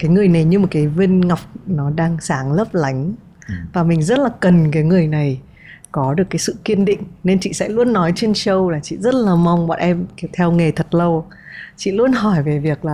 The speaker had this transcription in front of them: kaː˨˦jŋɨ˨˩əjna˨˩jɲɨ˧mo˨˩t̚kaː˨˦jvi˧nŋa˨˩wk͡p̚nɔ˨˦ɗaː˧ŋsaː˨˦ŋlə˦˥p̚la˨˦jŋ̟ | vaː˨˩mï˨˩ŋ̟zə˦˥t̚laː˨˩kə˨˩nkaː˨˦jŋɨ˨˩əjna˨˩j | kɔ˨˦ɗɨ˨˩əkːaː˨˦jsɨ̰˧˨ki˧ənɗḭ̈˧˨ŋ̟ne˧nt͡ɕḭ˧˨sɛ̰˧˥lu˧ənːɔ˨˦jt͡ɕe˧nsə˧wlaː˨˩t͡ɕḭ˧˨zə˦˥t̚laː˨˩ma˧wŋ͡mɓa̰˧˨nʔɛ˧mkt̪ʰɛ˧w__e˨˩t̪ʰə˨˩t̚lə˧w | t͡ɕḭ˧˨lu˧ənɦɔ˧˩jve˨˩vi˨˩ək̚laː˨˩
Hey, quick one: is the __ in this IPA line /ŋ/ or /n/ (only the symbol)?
ŋ